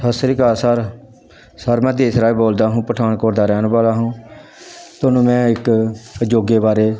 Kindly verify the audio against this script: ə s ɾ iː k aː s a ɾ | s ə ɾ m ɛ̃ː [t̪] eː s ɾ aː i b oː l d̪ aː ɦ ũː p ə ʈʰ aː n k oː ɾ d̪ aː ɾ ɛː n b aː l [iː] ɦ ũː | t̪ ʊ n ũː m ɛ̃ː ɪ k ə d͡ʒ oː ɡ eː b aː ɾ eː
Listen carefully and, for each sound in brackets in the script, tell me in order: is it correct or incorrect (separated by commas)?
incorrect, incorrect